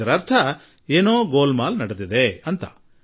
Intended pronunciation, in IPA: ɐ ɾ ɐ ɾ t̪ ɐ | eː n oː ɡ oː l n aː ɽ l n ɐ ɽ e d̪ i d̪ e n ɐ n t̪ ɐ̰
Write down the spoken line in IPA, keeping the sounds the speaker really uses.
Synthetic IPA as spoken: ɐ ɾ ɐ ɾ t̪ʰ ɐ | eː n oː ɡ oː l m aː l n ɐ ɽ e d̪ i d̪ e ɐ n t̪ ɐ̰